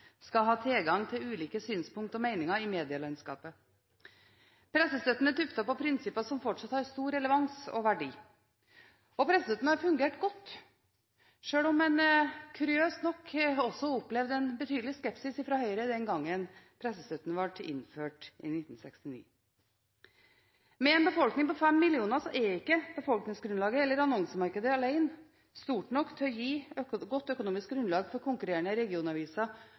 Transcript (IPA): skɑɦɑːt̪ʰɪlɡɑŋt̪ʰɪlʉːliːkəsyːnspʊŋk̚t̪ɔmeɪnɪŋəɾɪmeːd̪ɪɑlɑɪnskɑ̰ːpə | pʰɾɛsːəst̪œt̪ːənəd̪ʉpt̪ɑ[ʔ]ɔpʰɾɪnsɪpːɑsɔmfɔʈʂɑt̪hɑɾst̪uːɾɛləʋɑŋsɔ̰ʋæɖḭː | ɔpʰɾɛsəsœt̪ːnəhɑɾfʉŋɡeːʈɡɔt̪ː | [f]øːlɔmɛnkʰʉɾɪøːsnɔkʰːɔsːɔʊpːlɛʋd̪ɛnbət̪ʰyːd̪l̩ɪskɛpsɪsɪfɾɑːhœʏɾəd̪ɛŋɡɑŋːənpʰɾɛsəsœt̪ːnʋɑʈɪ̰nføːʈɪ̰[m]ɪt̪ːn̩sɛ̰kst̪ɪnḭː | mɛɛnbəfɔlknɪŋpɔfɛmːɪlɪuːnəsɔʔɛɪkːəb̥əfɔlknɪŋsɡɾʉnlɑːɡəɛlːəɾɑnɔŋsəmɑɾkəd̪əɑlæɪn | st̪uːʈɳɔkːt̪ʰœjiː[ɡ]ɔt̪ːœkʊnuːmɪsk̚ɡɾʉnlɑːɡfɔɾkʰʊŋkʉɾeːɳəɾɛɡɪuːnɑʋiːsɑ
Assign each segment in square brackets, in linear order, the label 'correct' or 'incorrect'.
incorrect: p, incorrect: ʂ, incorrect: n, correct

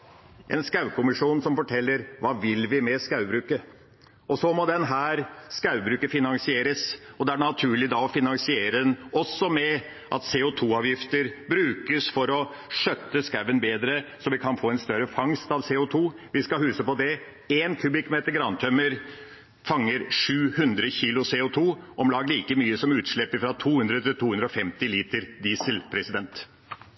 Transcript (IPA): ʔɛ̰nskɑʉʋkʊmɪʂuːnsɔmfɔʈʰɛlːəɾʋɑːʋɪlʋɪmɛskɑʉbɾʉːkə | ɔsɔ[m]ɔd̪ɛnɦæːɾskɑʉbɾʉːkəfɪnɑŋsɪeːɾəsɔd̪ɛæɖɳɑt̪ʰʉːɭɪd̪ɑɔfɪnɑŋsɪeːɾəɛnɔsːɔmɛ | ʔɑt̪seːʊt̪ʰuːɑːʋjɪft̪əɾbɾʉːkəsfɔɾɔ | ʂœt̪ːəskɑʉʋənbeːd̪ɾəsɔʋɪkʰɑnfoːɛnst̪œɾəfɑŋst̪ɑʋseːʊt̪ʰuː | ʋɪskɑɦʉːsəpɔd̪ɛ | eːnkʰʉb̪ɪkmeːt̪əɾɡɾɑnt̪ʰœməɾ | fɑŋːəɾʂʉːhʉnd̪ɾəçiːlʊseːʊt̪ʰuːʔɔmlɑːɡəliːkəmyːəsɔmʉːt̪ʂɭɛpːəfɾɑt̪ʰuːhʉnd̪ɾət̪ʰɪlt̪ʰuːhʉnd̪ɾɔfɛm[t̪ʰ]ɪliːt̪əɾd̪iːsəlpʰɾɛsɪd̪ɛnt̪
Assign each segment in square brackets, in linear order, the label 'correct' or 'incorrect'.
correct, incorrect: t̪

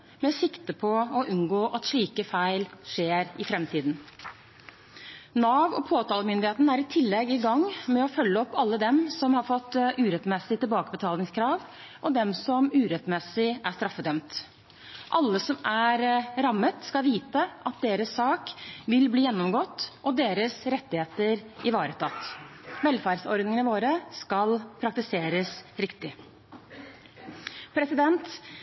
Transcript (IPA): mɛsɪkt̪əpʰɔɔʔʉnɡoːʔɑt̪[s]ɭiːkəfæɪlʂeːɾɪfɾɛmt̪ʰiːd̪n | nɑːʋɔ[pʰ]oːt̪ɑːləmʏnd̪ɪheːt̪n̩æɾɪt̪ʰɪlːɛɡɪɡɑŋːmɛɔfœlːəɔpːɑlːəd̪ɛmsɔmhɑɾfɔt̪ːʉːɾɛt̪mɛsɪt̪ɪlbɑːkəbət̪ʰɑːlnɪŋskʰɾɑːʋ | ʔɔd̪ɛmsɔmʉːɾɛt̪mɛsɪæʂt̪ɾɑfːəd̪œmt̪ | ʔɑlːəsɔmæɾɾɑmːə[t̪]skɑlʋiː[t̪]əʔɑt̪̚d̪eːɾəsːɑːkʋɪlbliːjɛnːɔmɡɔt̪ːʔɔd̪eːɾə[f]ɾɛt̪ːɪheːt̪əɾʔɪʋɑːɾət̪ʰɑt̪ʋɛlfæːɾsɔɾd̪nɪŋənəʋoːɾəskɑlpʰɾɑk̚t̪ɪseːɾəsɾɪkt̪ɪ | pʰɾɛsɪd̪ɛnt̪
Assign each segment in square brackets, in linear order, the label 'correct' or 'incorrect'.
incorrect: ʂ, correct, correct, correct, incorrect: s

